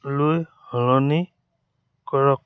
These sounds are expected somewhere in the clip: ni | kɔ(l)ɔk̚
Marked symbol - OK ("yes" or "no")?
no